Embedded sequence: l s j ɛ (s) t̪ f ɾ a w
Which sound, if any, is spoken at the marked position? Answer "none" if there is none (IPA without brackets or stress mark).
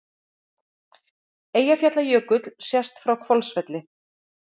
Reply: s